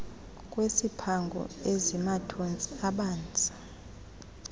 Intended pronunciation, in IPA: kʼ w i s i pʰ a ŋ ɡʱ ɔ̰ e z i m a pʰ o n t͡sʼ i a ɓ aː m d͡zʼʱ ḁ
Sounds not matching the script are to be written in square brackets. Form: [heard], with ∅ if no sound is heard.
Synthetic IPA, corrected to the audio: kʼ w [e] s i pʰ a ŋ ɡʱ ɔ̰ e z i m a [tʰ] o n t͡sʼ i a ɓ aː [n] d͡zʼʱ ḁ